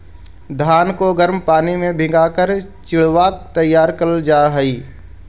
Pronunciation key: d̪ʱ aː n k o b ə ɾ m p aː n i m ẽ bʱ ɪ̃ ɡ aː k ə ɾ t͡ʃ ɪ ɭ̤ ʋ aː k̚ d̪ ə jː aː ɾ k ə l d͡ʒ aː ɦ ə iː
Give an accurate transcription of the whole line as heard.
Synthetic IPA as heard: d̪ʱ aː n k o ɡ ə ɾ m p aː n i m ẽ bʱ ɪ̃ ɡ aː k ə ɾ t͡ʃ ɪ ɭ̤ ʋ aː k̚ t̪ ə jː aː ɾ k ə l d͡ʒ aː ɦ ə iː